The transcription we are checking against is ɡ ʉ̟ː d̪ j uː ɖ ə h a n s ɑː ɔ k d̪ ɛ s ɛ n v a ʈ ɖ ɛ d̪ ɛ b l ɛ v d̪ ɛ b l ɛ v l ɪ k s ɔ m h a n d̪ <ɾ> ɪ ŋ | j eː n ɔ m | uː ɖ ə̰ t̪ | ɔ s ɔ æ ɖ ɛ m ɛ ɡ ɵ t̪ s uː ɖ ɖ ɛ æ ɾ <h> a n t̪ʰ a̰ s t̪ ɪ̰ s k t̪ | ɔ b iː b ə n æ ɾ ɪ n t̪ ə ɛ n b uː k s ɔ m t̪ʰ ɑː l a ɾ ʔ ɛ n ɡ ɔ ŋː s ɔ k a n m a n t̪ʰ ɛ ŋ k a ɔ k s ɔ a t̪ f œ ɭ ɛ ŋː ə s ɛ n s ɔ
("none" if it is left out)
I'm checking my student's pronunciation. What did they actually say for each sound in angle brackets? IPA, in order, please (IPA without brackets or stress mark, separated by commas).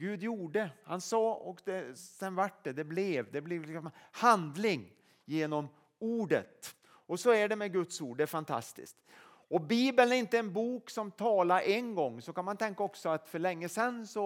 l, f